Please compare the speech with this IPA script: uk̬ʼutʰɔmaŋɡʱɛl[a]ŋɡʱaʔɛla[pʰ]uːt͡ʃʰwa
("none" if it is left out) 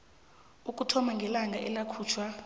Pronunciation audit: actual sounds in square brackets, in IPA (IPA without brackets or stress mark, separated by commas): a, kʰ